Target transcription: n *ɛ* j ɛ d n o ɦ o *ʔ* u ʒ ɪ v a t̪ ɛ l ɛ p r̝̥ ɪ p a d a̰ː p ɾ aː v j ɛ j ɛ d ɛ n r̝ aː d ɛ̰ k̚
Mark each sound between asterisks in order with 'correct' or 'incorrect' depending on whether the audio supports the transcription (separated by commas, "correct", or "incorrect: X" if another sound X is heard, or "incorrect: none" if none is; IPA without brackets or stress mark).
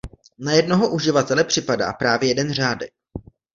incorrect: a, correct